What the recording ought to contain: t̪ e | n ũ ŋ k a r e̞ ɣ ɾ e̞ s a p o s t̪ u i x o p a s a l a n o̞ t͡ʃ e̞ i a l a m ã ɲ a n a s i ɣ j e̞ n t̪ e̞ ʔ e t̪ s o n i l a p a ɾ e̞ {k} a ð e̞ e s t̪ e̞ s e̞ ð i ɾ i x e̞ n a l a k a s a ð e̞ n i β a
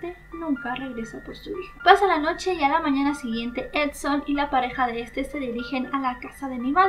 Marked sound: incorrect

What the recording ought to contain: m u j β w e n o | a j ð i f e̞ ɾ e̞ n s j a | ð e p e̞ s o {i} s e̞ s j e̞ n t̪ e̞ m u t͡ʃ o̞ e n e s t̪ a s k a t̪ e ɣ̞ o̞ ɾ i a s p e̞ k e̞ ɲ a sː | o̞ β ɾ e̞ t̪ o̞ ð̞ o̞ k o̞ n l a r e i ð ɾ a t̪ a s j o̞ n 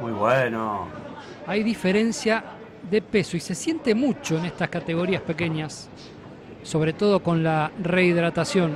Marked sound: correct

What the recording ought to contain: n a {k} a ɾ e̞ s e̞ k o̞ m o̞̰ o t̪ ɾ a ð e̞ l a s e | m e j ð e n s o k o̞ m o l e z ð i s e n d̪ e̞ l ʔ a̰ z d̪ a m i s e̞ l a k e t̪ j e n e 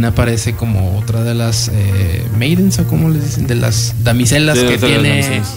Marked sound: incorrect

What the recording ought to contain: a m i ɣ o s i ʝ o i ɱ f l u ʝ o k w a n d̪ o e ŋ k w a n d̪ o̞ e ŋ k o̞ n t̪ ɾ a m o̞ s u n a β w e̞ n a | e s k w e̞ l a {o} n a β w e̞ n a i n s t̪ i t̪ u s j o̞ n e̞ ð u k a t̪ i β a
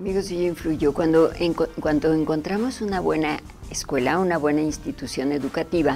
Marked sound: incorrect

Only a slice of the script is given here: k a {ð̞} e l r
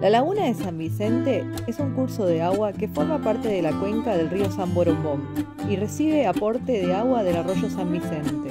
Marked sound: correct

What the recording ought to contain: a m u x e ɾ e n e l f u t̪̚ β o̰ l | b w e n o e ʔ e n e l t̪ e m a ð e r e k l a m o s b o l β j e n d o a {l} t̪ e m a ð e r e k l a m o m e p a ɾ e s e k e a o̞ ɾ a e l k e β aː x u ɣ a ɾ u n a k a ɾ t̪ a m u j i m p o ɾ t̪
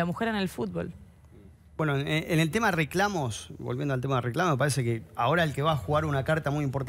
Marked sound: correct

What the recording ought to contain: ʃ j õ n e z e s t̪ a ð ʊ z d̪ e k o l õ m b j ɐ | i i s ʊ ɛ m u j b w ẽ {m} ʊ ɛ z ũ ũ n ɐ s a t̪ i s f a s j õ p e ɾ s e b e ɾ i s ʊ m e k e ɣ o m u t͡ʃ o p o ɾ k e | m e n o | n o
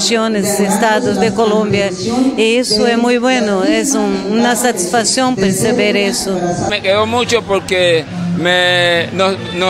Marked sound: incorrect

